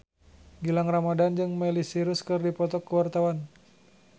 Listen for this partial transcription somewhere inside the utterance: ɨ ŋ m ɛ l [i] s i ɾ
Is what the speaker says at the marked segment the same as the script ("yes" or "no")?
yes